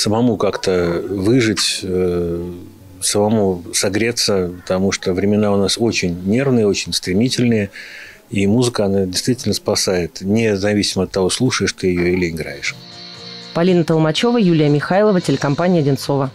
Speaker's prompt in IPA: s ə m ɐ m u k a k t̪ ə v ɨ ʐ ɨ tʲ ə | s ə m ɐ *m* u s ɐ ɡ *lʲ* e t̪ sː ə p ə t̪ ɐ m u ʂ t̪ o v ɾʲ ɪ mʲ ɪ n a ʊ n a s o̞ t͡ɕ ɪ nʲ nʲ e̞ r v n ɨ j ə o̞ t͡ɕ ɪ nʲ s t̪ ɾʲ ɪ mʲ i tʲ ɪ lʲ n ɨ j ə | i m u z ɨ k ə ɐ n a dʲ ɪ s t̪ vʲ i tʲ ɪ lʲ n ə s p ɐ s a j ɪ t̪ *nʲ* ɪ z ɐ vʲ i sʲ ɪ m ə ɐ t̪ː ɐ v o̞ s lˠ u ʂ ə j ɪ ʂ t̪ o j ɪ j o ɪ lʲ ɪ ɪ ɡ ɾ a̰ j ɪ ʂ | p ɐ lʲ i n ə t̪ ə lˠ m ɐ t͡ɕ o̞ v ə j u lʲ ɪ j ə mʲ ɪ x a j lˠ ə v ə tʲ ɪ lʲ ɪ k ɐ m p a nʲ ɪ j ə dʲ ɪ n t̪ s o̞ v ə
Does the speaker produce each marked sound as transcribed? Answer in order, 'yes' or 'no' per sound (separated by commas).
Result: yes, no, yes